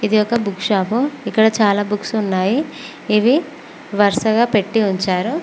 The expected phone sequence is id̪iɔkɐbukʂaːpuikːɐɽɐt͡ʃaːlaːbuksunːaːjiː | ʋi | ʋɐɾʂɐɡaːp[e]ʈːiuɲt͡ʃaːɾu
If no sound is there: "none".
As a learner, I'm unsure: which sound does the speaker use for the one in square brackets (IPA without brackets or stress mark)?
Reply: e